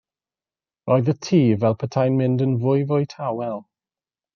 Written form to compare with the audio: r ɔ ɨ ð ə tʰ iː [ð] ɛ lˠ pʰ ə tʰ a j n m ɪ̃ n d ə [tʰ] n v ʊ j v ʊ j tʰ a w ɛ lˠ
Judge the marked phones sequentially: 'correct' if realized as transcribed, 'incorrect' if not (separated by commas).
incorrect, incorrect